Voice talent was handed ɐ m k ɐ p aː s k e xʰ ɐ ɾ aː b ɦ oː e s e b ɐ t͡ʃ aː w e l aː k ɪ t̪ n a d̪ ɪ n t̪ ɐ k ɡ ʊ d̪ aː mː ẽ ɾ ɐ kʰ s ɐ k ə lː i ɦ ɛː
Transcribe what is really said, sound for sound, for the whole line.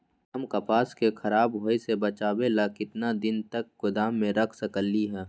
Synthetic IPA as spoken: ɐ m k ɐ p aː s k e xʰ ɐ ɾ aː b ɦ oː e s e b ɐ t͡ʃ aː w e l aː k ɪ t̪ n a d̪ ɪ n t̪ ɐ k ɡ ʊ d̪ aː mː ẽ ɾ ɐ kʰ s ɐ k ə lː i ɦ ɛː